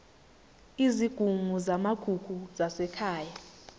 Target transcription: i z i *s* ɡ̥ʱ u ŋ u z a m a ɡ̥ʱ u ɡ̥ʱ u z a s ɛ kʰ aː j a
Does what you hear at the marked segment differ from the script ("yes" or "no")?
yes